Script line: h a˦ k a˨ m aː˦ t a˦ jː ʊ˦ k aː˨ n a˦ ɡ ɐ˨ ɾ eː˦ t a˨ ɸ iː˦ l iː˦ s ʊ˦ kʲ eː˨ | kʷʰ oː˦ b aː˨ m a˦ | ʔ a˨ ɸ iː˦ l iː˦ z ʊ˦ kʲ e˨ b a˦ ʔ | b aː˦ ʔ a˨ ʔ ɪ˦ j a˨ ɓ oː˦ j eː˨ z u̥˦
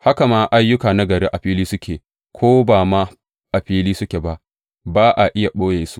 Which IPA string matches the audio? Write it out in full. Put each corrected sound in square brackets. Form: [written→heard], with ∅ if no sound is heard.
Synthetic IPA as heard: h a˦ k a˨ m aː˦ [t→ʔ] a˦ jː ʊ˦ k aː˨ n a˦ ɡ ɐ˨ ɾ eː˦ [t→ʔ] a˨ ɸ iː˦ l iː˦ s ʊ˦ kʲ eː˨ | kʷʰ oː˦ b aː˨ m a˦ | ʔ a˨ ɸ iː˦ l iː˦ [z→s] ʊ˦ kʲ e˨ b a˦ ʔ | b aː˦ ʔ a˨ ʔ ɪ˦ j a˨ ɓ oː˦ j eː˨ [z→s] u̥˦